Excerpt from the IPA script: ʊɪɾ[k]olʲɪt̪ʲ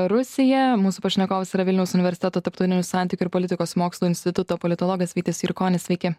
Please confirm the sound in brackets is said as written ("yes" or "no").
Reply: no